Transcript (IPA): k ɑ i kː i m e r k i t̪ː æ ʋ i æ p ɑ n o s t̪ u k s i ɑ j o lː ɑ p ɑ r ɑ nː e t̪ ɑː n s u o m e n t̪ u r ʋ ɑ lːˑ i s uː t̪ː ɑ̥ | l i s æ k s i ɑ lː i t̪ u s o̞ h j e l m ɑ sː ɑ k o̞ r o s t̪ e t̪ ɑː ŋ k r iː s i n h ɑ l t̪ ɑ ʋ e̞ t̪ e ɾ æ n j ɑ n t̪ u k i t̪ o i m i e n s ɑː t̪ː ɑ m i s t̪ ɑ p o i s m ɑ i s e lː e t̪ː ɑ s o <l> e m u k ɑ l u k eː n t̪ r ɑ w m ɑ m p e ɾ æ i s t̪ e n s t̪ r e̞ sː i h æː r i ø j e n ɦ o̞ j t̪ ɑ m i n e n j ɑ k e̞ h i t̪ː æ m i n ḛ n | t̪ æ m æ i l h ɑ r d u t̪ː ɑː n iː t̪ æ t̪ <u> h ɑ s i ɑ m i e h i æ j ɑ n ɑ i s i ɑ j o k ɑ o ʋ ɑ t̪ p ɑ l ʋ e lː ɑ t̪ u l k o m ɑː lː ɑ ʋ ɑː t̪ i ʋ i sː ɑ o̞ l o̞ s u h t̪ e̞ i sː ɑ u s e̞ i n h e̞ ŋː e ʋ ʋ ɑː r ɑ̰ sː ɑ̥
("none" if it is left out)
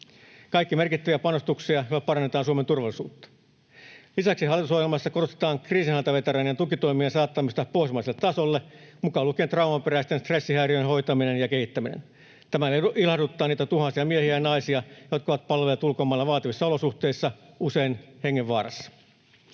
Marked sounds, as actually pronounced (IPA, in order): lː, u

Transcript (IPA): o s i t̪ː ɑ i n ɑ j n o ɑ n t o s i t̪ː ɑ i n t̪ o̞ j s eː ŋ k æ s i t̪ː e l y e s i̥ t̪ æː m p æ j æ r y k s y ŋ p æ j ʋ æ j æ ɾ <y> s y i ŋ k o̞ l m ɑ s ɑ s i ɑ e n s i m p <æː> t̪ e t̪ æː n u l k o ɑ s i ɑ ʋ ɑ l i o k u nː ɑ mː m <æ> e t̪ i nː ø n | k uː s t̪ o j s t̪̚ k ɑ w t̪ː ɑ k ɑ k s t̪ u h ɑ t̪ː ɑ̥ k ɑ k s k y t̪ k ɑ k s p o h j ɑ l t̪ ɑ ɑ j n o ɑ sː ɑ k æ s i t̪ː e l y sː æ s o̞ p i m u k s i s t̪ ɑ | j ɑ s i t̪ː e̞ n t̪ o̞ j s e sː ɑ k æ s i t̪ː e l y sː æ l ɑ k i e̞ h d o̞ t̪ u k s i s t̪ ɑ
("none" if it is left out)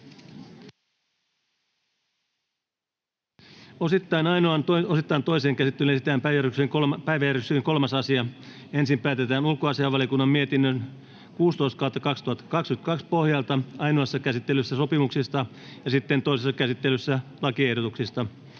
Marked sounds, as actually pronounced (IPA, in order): y, æː, i

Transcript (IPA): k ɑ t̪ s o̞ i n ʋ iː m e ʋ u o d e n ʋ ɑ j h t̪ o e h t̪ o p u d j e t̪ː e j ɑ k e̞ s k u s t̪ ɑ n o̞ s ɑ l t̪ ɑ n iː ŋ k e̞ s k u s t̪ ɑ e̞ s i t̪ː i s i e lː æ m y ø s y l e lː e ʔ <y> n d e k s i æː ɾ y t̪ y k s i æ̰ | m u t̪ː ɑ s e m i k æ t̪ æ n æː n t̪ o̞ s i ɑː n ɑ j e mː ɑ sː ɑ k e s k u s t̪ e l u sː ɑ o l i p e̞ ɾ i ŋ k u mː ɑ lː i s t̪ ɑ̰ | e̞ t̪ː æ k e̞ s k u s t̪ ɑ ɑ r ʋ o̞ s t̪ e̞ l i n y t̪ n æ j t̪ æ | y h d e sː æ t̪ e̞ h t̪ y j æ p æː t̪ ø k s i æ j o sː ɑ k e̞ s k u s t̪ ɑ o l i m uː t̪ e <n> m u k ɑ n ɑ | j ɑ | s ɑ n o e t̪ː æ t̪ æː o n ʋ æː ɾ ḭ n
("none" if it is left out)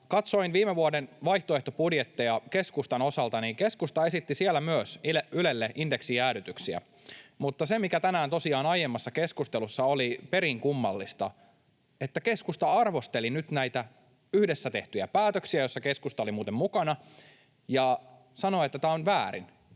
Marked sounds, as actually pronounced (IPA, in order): i, m

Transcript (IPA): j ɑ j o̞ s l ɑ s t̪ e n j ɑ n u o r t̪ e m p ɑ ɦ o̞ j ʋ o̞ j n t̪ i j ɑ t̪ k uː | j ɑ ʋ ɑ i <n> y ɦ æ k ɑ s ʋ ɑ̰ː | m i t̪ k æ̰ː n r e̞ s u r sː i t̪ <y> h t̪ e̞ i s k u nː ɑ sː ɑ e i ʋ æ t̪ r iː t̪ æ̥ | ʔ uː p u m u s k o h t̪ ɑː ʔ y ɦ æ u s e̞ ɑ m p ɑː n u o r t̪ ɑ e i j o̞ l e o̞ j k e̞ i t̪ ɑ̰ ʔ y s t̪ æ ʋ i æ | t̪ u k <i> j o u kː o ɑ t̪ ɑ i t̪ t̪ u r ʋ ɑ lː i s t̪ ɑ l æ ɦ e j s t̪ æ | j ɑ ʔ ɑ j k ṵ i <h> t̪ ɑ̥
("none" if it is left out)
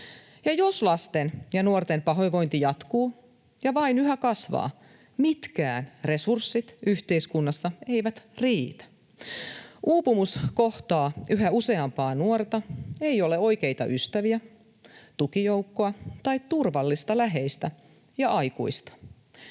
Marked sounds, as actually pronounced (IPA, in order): n, y, i, s

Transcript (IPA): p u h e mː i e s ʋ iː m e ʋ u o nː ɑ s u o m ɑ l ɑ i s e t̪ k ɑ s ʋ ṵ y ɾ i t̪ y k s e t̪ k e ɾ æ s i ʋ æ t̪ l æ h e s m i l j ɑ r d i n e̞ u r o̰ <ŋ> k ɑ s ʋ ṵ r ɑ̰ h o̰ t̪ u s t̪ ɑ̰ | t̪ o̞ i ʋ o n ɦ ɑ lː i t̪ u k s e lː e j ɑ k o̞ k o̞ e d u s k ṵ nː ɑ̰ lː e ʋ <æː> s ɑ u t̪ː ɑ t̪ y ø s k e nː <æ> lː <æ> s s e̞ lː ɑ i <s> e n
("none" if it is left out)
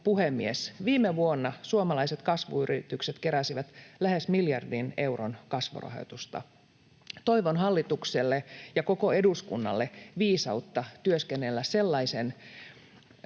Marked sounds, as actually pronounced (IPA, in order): n, iː, e, æ, s

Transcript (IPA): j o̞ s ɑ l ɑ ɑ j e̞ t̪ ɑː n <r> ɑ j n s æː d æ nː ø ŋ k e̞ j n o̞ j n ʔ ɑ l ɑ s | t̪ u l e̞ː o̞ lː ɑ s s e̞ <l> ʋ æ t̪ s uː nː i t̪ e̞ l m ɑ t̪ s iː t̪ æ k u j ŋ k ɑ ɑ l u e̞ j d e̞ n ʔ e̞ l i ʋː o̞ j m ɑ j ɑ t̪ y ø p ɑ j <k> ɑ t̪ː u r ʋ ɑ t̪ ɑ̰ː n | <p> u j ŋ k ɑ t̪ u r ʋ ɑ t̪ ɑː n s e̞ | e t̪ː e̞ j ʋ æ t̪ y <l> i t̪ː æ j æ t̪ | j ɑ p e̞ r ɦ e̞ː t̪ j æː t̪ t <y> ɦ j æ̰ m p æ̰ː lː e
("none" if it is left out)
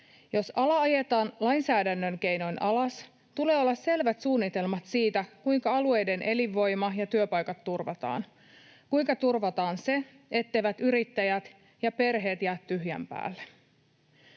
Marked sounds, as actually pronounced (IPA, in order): l, l, k, k, ɾ, y

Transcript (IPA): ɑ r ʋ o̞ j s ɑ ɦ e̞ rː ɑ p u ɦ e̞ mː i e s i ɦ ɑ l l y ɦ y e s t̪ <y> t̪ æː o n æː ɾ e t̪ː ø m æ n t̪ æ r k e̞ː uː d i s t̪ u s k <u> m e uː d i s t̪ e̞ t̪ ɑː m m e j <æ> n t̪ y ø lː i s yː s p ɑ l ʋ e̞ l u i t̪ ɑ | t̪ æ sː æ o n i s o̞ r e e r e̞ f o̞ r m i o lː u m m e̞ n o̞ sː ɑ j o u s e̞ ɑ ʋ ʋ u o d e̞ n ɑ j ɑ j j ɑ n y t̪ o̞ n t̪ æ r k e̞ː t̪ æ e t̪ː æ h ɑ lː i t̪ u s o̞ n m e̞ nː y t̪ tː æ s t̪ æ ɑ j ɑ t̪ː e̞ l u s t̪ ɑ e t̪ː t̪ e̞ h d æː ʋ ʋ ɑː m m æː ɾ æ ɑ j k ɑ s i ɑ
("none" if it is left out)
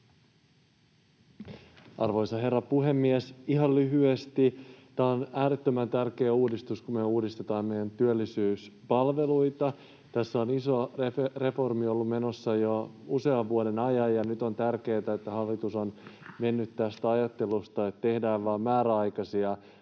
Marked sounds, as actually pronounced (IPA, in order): i, u, æ

